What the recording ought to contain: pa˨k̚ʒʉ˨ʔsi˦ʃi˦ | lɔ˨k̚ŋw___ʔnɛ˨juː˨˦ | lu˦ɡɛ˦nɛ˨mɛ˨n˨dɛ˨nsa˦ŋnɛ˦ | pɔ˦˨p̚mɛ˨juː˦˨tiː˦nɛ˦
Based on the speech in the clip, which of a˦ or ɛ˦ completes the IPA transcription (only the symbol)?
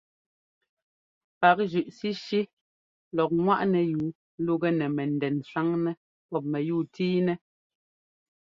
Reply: a˦